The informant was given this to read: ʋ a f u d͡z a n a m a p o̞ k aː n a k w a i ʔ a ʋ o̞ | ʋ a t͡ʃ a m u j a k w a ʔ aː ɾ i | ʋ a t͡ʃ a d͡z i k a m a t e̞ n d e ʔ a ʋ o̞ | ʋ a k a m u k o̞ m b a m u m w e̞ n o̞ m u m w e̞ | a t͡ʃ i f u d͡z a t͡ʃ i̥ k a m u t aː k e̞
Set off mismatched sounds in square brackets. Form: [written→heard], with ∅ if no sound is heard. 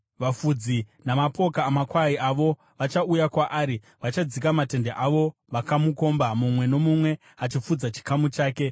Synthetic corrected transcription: ʋ a f u d͡z [a→i] n a m a p o̞ k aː [n→m] a k w a i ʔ a ʋ o̞ | ʋ a t͡ʃ a [m→∅] u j a k w a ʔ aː ɾ i | ʋ a t͡ʃ a d͡z i k a m a t e̞ n d e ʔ a ʋ o̞ | ʋ a k a m u k o̞ m b a m u m w e̞ n o̞ m u m w e̞ | a t͡ʃ i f u d͡z a t͡ʃ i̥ k a m u [t→t͡ʃ] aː k e̞